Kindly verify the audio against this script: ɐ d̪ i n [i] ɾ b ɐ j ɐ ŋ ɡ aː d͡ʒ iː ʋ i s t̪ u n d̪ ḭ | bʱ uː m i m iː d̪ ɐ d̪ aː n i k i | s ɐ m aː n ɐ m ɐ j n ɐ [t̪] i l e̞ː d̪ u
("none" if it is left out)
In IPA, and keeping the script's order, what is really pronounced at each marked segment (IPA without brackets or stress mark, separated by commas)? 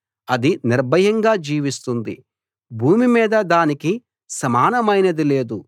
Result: i, d̪